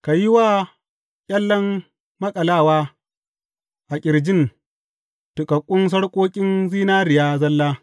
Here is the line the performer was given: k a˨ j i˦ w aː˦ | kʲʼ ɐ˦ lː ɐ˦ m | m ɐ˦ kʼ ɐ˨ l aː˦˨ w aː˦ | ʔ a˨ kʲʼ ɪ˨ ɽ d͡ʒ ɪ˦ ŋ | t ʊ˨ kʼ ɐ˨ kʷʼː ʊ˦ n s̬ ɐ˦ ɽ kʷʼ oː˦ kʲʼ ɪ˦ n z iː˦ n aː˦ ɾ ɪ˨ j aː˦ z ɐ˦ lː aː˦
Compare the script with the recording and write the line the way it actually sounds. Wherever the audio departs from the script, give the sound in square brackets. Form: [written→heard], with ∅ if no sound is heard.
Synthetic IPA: k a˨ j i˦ w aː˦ | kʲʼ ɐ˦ lː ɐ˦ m | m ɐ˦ kʼ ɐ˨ l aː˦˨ w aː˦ | ʔ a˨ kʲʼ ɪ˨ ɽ d͡ʒ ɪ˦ [ŋ→n] | t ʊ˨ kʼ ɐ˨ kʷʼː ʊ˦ n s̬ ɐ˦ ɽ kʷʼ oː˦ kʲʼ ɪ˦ n z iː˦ n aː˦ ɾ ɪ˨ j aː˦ z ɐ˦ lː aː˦